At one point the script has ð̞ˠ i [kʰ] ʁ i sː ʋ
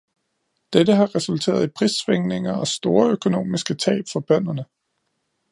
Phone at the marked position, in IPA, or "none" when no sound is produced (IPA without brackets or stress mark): pʰ